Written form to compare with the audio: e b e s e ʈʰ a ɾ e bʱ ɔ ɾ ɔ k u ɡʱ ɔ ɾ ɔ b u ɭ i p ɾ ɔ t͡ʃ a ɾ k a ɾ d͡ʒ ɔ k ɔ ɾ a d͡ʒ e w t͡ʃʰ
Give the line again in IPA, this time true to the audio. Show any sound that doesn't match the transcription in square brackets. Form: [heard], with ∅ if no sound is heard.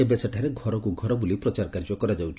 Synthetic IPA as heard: e b e s e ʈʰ a ɾ e [ɡʱ] ɔ ɾ ɔ k u ɡʱ ɔ ɾ ɔ b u [l] i p ɾ ɔ t͡ʃ a ɾ k a ɾ d͡ʒ ɔ k ɔ ɾ a d͡ʒ [a] w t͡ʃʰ